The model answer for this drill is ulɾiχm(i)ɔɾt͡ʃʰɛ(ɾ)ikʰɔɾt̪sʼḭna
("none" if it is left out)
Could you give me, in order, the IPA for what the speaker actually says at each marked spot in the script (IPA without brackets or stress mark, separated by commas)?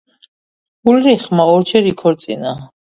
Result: a, ɾ